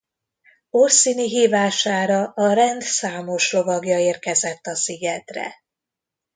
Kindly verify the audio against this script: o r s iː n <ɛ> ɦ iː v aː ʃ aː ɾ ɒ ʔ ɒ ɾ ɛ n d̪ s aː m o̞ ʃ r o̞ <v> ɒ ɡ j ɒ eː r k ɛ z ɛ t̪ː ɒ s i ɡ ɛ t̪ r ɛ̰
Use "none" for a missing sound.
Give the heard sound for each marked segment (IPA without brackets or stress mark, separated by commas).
i, v